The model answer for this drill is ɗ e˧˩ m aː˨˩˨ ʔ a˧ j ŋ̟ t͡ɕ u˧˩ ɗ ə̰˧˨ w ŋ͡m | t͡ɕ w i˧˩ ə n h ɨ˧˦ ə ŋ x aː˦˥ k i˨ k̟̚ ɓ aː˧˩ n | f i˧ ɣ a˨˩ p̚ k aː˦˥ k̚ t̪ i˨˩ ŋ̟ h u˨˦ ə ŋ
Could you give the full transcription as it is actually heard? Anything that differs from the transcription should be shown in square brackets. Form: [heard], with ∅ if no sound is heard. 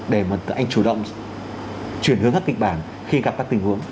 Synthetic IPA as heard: ɗ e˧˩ m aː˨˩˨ ʔ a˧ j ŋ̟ t͡ɕ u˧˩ ɗ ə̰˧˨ w ŋ͡m | t͡ɕ w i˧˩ ə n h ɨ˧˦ ə ŋ [k] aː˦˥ k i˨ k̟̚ ɓ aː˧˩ n | [x] i˧ ɣ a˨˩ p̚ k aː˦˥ k̚ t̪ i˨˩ ŋ̟ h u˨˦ ə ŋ